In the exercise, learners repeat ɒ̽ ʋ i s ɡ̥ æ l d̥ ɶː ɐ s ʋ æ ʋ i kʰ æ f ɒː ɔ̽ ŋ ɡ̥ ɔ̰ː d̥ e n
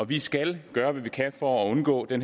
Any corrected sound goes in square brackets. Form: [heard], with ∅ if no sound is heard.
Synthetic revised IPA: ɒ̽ ʋ i s ɡ̥ æ l [ɡ̥] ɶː ɐ [∅] ʋ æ ʋ i kʰ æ f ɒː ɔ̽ [n] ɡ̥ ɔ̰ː d̥ e n